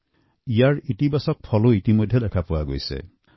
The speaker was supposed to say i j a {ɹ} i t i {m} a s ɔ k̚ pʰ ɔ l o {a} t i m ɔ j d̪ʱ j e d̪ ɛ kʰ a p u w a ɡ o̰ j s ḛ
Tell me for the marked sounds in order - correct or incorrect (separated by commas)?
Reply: correct, incorrect, incorrect